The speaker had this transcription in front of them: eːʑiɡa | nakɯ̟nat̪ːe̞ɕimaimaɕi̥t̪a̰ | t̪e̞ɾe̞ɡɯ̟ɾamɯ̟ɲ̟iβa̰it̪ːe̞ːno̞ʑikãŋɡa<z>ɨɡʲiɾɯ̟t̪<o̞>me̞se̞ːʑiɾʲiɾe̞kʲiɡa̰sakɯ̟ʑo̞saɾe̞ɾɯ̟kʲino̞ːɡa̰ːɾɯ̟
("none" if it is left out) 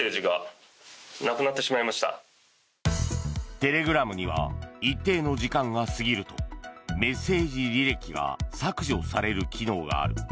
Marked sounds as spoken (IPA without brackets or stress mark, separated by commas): s, o̞